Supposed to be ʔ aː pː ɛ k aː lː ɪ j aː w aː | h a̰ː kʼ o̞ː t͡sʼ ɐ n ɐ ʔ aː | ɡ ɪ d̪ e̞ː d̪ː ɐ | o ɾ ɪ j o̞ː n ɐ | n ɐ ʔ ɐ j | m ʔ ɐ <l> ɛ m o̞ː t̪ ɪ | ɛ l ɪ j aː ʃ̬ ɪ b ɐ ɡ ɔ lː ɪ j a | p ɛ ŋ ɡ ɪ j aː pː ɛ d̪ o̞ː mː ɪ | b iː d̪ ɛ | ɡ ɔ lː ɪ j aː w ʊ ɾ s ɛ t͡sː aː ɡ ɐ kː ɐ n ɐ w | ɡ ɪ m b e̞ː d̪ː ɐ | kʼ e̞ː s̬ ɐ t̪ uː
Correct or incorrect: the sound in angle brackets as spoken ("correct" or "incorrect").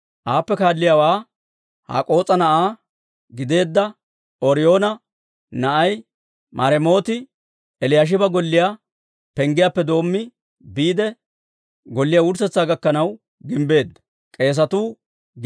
incorrect